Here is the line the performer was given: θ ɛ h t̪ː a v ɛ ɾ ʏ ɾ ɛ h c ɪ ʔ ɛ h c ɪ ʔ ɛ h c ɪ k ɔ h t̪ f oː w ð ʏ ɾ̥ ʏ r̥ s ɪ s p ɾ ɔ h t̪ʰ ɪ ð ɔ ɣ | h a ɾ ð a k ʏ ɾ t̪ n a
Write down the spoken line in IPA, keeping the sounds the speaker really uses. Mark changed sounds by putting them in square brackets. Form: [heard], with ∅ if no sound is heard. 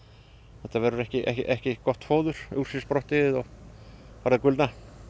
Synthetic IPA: θ ɛ h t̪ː a v ɛ ɾ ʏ ɾ ɛ h c ɪ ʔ ɛ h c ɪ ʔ ɛ h c ɪ k ɔ h t̪ f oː w ð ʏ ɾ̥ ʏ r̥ s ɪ s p ɾ ɔ h [t̪] ɪ ð ɔ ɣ | [f] a ɾ ð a k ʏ [l] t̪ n a